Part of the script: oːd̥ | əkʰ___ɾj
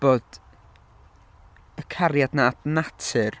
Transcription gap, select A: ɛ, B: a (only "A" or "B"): B